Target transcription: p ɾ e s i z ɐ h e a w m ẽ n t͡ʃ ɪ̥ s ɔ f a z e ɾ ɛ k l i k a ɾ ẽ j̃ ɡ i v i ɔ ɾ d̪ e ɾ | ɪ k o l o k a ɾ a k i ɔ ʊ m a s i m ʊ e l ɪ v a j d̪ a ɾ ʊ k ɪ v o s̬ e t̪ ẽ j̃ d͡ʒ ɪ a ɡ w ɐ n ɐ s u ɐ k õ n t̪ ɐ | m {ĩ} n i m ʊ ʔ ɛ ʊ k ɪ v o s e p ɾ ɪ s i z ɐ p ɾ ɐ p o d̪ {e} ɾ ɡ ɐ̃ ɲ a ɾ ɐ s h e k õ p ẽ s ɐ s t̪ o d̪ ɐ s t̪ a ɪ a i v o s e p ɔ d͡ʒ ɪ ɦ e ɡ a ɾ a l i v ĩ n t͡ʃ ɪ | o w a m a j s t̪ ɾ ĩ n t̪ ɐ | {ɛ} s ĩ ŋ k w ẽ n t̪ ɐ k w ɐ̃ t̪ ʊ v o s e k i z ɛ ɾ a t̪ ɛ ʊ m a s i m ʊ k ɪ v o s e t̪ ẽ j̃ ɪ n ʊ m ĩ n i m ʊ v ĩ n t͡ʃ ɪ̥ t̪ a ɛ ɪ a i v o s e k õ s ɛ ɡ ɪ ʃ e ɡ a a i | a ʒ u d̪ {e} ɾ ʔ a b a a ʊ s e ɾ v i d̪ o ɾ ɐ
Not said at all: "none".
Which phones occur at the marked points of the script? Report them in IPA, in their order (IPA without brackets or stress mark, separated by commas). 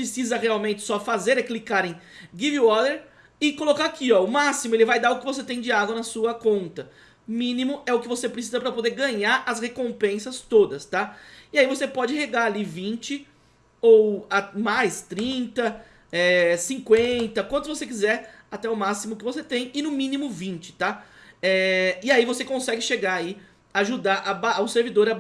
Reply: ĩ, e, ɛ, a